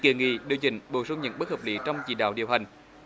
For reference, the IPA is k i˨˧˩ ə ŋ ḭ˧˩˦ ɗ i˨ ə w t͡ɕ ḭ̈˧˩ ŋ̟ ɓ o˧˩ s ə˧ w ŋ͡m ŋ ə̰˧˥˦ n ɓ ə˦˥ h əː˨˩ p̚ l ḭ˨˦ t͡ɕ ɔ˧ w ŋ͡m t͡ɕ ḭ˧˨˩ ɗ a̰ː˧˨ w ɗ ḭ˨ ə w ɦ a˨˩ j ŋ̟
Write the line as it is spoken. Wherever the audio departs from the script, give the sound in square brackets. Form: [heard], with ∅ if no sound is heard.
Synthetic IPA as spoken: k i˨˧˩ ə ŋ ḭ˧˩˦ ɗ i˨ ə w t͡ɕ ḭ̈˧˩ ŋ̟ ɓ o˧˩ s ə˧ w ŋ͡m [ɲ] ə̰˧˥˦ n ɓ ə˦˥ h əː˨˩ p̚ l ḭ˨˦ t͡ɕ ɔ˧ w ŋ͡m t͡ɕ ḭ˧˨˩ ɗ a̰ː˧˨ w ɗ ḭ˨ ə w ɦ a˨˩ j ŋ̟